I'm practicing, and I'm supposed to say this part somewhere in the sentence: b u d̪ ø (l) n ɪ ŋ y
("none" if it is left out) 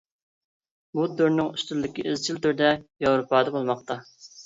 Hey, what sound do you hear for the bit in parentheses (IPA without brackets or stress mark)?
ɾ